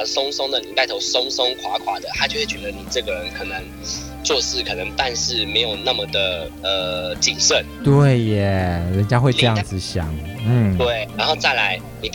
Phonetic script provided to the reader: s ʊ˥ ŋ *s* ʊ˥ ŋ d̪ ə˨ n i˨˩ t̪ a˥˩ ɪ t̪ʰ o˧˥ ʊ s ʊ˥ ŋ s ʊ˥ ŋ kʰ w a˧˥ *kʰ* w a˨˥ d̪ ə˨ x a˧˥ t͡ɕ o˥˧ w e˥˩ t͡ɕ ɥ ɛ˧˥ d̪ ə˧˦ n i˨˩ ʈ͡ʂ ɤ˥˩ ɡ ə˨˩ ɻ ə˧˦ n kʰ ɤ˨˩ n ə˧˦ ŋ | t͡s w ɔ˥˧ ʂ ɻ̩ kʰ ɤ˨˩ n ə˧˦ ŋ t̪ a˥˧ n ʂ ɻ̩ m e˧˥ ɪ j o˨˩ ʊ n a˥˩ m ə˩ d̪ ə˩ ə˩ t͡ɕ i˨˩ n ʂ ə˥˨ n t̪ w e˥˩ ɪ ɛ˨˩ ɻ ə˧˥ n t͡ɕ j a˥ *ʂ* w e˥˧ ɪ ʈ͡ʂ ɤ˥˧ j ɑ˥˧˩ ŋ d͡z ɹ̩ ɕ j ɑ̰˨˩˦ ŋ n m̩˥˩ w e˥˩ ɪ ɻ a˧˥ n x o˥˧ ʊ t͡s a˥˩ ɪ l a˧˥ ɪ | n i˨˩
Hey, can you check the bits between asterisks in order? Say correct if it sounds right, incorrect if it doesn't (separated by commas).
correct, correct, incorrect